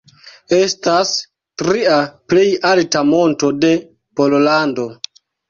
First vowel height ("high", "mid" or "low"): mid